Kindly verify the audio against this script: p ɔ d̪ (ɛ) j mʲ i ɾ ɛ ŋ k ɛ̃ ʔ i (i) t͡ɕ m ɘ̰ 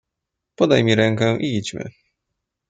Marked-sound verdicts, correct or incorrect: incorrect: a, correct

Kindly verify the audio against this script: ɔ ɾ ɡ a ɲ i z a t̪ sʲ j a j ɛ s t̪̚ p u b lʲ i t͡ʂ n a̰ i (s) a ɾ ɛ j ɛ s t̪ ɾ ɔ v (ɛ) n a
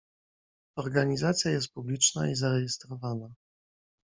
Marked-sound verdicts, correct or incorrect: incorrect: z, incorrect: a

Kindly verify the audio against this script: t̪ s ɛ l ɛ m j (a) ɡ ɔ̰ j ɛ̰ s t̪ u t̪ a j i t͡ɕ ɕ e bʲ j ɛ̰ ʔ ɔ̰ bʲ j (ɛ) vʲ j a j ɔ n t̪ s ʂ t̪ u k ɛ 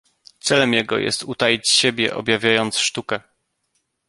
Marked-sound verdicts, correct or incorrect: incorrect: ɛ, incorrect: a

